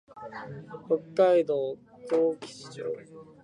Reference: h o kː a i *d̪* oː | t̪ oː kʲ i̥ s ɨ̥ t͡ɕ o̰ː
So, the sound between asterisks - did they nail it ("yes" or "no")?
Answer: yes